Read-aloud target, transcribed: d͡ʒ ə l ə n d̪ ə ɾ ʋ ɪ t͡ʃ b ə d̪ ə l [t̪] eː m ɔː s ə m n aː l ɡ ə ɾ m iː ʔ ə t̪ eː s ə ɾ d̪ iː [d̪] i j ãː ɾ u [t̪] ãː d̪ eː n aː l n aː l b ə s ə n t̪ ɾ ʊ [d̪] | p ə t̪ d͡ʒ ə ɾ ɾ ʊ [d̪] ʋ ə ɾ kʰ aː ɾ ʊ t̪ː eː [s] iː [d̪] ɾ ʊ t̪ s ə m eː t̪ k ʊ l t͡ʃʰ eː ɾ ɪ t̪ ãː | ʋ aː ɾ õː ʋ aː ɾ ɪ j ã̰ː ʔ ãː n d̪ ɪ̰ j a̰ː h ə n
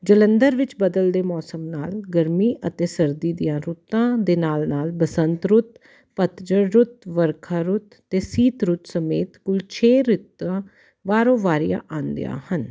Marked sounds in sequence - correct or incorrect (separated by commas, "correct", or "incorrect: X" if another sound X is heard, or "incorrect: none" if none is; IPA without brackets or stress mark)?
incorrect: d̪, correct, correct, incorrect: t̪, incorrect: t̪, correct, incorrect: t̪